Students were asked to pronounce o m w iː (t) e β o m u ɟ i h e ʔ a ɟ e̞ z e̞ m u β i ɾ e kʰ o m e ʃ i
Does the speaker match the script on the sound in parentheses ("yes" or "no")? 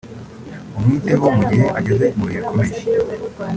yes